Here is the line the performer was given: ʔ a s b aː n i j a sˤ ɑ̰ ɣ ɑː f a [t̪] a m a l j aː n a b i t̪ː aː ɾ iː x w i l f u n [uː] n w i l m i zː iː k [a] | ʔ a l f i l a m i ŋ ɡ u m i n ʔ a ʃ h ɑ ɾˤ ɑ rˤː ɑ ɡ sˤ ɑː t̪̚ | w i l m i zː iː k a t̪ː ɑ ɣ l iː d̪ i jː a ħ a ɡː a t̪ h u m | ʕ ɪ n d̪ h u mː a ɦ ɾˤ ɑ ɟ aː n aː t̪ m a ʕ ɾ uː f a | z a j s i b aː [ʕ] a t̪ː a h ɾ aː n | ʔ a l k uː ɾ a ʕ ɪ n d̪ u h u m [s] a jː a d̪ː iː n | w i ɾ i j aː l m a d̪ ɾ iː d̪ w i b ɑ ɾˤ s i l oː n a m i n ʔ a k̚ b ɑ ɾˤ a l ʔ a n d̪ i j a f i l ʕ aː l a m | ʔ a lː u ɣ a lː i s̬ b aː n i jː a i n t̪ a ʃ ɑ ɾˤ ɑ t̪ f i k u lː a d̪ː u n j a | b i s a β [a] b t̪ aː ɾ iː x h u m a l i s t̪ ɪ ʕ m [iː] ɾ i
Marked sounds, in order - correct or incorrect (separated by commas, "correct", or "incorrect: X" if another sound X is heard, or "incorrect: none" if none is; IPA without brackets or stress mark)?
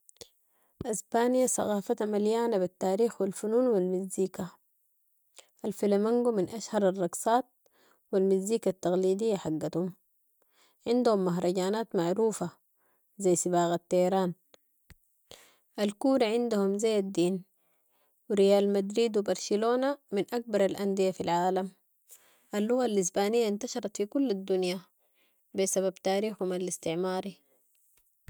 correct, correct, correct, incorrect: ɣ, incorrect: z, correct, incorrect: aː